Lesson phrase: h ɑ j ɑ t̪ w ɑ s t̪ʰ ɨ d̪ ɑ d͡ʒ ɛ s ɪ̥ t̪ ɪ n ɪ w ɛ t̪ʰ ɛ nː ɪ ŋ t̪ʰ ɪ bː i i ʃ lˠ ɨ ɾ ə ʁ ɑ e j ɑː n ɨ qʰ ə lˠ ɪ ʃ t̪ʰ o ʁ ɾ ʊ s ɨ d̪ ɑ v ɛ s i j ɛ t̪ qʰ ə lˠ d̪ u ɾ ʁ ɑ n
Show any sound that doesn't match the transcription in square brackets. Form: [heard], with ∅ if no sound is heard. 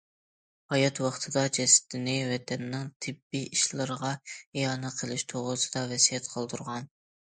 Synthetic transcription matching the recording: h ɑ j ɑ t̪ w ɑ [χ] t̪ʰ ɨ d̪ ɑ d͡ʒ ɛ s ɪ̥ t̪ ɪ n ɪ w ɛ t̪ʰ ɛ nː ɪ ŋ t̪ʰ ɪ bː i i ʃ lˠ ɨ ɾ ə ʁ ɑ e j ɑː n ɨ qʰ ə lˠ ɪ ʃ t̪ʰ o ʁ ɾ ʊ s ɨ d̪ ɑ v ɛ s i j ɛ t̪ qʰ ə lˠ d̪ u ɾ ʁ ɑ n